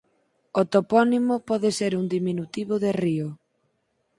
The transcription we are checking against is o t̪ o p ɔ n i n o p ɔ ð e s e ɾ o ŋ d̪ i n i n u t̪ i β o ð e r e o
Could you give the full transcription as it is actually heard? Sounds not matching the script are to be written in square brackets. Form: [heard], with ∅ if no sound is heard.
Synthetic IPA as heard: o t̪ o p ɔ n i [m] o p ɔ ð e s e ɾ [u] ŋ d̪ i [m] i n u t̪ i β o ð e r [i] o